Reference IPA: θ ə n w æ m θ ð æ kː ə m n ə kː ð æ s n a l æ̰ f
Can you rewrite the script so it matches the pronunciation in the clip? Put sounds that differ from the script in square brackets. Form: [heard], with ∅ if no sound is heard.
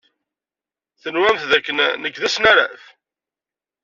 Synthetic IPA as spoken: θ ə n w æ m θ ð æ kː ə [n] n ə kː ð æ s n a [ɾ] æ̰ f